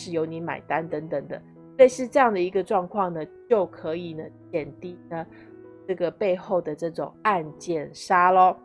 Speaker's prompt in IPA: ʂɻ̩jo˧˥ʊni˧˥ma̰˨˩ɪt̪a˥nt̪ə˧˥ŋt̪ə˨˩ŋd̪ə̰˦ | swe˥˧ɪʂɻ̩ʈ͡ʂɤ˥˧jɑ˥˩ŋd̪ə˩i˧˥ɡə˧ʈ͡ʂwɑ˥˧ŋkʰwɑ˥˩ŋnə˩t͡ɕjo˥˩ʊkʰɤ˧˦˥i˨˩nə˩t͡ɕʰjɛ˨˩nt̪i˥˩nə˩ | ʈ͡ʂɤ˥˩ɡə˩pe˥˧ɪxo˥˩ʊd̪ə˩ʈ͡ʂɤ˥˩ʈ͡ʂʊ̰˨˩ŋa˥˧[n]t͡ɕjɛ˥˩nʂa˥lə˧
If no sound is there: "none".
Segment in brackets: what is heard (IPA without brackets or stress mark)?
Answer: n